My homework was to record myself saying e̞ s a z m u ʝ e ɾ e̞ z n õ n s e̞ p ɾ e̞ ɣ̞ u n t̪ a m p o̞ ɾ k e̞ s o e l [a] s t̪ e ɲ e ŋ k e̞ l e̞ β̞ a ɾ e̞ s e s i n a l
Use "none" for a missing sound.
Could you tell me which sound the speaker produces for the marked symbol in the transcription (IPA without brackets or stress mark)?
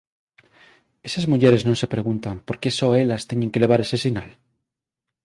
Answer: a